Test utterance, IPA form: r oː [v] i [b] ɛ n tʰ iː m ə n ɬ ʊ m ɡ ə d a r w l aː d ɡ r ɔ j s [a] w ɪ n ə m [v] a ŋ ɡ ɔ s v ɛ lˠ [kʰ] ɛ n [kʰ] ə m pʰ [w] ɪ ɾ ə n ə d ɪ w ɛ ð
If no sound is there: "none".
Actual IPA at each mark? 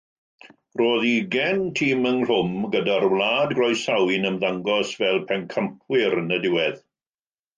ð, ɡ, a, ð, pʰ, kʰ, w

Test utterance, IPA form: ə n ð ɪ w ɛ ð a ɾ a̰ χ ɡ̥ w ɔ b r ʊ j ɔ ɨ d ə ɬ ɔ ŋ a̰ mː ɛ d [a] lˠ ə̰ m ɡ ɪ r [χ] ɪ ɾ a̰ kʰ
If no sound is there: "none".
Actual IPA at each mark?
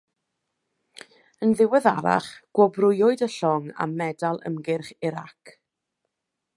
a, χ

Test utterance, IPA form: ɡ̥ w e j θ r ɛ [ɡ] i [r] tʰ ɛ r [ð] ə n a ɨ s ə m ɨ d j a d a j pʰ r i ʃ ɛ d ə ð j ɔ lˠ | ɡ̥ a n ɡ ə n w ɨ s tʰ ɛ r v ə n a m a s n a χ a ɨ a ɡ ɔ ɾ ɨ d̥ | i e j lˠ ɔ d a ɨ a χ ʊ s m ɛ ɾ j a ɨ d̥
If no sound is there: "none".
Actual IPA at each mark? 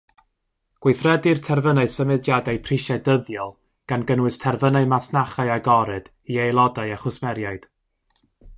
d, r, v

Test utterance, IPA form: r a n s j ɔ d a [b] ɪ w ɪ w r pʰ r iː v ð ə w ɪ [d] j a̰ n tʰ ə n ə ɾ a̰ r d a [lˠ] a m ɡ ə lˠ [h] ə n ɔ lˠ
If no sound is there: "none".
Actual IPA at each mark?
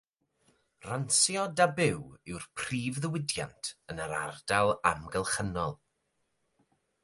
b, d, lˠ, χ

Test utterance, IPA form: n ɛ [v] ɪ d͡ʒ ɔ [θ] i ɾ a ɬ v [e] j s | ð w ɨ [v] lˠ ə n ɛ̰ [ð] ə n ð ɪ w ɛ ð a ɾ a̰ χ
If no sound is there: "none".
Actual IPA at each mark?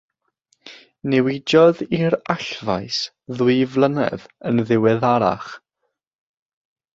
w, ð, a, v, ð

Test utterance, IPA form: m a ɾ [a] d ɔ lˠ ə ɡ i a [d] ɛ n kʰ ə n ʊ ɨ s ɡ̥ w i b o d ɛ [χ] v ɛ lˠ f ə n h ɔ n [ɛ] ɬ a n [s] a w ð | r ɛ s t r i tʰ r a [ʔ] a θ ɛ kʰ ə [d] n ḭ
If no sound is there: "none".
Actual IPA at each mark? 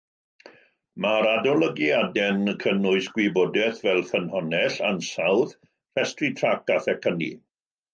a, d, θ, ɛ, s, k, none

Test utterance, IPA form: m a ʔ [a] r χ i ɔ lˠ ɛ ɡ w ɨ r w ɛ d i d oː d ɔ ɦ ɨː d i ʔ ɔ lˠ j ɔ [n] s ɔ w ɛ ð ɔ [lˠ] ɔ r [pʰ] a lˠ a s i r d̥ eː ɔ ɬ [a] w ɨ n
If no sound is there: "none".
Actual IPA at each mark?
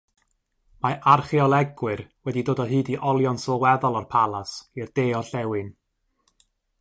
a, n, lˠ, pʰ, ɛ

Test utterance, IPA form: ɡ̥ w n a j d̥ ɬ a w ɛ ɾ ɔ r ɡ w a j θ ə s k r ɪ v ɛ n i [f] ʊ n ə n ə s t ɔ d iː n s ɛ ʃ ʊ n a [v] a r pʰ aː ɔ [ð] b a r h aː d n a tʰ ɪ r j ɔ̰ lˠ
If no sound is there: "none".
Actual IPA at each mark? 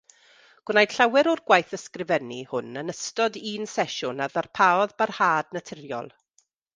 h, ð, ð

